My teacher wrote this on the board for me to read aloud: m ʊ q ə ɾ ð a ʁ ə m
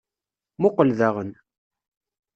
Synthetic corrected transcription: m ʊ q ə l ð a ʁ ə n